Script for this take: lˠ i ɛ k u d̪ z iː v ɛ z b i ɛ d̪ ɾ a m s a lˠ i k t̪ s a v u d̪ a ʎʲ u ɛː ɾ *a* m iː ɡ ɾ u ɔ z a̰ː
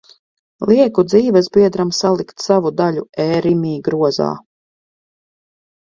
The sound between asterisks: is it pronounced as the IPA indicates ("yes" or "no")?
no